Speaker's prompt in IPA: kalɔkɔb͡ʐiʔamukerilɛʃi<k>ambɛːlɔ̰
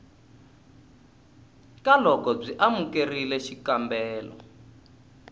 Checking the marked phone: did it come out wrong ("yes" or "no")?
no